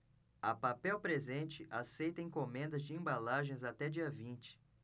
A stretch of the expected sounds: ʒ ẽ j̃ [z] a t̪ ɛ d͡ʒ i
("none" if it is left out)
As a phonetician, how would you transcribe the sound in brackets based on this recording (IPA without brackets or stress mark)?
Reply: z